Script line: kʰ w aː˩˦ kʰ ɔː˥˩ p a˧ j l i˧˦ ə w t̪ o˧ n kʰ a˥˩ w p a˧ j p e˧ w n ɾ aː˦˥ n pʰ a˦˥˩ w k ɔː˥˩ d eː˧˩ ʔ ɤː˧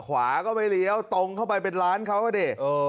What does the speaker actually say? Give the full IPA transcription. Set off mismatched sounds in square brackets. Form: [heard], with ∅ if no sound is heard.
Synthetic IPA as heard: kʰ w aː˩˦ [k] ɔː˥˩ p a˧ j l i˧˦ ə w t̪ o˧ [ŋ] kʰ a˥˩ w p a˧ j p e˧ [∅] n ɾ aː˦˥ n [kʰ] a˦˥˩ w k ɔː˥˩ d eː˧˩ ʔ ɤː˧